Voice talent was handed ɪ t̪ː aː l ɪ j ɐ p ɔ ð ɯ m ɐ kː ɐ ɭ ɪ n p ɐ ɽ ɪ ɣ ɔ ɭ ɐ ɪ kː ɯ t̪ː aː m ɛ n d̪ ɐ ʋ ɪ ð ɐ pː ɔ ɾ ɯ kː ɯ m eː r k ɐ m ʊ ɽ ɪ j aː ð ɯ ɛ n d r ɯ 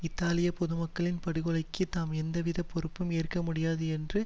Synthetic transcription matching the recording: ɪ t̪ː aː l ɪ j ɐ p ɔ ð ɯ m ɐ kː ɐ ɭ ɪ n p ɐ ɽ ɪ ɣ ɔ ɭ ɐ ɪ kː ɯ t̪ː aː m ɛ n d̪ ɐ ʋ ɪ ð ɐ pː ɔ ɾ ɯ pː ɯ m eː r k ɐ m ʊ ɽ ɪ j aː ð ɯ ɛ n d r ɯ

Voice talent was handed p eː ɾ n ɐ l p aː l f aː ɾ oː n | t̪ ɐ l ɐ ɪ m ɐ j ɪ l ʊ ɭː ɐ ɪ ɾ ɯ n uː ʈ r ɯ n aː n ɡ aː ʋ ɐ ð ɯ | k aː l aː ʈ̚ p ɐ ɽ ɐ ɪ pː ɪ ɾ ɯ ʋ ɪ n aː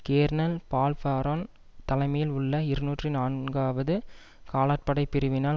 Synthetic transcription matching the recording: k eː ɾ n ɐ l p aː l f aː ɾ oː n | t̪ ɐ l ɐ ɪ m ɐ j ɪ l ʊ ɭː ɐ ɪ ɾ ɯ n uː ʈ r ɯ n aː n ɡ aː ʋ ɐ ð ɯ | k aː l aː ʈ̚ p ɐ ɽ ɐ ɪ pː ɪ ɾ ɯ ʋ ɪ n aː

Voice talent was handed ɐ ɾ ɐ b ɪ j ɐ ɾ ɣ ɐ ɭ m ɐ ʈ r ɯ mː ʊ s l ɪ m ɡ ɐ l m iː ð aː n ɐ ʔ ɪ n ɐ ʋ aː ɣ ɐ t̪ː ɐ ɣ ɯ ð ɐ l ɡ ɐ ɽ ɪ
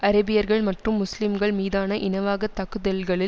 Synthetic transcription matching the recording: ɐ ɾ ɐ b ɪ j ɐ ɾ ɣ ɐ ɭ m ɐ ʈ r ɯ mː ʊ s l ɪ m ɡ ɐ ɭ m iː ð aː n ɐ ʔ ɪ n ɐ ʋ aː ɣ ɐ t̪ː ɐ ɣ ɯ ð ɐ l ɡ ɐ ɭ ɪ

